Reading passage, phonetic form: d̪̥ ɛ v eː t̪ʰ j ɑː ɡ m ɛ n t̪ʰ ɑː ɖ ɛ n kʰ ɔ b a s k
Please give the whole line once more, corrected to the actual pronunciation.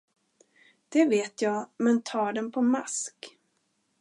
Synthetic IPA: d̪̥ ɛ v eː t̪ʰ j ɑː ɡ m ɛ n t̪ʰ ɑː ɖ ɛ n pʰ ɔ m a s k

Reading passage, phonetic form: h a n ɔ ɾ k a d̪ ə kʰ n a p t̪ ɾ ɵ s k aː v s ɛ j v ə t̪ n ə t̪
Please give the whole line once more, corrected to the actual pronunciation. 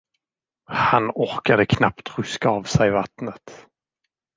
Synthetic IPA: h a n ɔ ɾ k a d̪ ə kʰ n a p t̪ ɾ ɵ s k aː v s ɛ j v a t̪ n ə t̪

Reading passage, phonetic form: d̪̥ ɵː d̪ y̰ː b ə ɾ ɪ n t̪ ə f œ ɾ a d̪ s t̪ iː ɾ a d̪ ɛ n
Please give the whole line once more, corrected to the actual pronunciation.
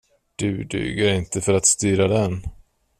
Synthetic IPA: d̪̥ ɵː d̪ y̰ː ɡ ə ɾ ɪ n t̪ ə f œ ɾ a t̪ s t̪ yː ɾ a d̪ ɛ n

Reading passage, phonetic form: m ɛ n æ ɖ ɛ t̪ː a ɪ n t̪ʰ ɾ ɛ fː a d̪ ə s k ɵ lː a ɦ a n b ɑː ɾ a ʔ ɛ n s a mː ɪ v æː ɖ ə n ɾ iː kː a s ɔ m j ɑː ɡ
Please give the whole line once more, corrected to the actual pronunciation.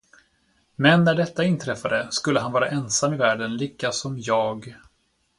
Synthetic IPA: m ɛ nː æ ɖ ɛ t̪ː a ɪ n t̪ʰ ɾ ɛ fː a d̪ ə s k ɵ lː ə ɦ a n v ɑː ɾ a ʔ ɛ n s a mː ɪ v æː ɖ ə n l iː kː a s ɔ m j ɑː ɡ

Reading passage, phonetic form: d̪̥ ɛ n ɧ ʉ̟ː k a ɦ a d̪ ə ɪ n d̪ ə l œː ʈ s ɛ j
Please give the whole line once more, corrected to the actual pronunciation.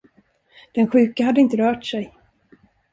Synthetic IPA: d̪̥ ɛ n ɧ ʉ̟ː k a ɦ a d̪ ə ɪ n t̪ ə ɾ œː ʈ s ɛ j

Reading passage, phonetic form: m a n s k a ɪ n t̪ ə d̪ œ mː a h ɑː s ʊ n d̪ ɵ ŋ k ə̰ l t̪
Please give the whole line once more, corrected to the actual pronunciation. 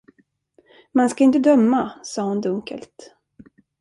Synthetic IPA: m a n s k a ɪ n t̪ ə d̪ œ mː a s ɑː h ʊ n d̪ ɵ ŋ k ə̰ l t̪

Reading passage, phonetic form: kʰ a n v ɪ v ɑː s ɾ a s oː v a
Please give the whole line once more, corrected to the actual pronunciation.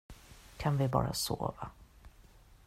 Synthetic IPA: kʰ a n v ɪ b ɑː ɾ a s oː v a

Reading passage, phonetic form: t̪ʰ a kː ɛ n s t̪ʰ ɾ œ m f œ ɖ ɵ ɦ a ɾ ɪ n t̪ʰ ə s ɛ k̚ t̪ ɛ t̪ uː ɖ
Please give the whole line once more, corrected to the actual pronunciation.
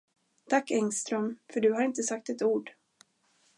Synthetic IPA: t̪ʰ a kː ɛ ŋ s t̪ ɾ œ m f œ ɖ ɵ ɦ a ɾ ɪ n t̪ ə s a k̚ t̪ ɛ t̪ uː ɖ

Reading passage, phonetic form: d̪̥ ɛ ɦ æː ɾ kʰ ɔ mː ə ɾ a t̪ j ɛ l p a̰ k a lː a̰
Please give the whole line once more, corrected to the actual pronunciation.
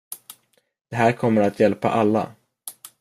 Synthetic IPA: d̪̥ ɛ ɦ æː ɾ kʰ ɔ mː ə ɾ a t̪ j ɛ l p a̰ ʔ a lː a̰

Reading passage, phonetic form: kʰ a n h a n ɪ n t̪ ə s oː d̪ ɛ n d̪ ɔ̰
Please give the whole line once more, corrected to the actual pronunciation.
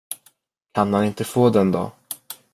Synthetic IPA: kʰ a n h a n ɪ n t̪ ə f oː d̪ ɛ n d̪ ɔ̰

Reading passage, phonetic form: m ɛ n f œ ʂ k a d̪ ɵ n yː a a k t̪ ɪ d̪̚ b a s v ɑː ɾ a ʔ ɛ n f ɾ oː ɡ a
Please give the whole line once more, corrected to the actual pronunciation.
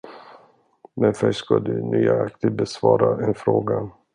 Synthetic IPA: m ɛ n f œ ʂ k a d̪ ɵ n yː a a k t̪ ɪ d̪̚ b ɛ s v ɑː ɾ a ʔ ɛ n f ɾ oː ɡ a

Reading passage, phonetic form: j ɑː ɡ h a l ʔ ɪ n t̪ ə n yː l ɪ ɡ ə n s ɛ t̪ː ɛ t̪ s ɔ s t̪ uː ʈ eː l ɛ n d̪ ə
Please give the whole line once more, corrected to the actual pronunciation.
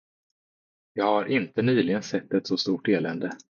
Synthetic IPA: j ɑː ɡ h a ɾ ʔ ɪ n t̪ ə n yː l ɪ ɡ ə n s ɛ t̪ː ɛ t̪ s ɔ s t̪ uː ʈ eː l ɛ n d̪ ə

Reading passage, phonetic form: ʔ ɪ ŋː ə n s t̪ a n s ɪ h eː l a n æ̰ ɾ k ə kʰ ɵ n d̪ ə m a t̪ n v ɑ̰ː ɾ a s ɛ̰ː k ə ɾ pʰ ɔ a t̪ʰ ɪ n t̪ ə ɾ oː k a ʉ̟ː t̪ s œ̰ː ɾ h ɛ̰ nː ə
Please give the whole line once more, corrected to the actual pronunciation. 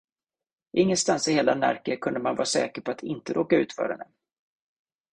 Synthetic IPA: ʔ ɪ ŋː ə n s t̪ a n s ɪ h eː l a n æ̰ ɾ k ə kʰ ɵ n d̪ ə m a n v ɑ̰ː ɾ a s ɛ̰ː k ə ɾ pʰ ɔ a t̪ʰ ɪ n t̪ ə ɾ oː k a ʉ̟ː t̪ f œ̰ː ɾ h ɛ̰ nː ə

